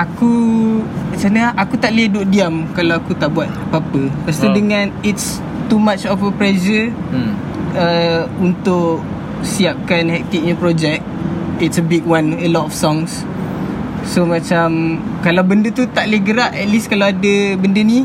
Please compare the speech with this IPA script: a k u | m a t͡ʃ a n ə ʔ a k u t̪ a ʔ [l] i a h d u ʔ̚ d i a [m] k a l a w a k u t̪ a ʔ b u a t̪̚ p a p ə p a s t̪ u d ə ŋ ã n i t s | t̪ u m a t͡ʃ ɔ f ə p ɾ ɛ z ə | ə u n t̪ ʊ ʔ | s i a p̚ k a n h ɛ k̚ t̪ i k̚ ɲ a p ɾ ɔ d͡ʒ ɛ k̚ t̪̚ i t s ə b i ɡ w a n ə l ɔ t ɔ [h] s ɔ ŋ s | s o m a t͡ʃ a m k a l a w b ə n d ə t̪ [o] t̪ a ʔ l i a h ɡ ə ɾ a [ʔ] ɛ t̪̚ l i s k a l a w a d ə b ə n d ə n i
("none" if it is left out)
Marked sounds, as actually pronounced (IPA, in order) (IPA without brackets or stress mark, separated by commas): l, m, f, u, ʔ